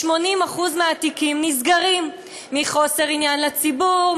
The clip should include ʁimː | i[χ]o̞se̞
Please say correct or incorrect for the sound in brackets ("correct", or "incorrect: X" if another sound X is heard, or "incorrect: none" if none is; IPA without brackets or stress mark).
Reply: correct